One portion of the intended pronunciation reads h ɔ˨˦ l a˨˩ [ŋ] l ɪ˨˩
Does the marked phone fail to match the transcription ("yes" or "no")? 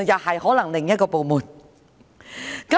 no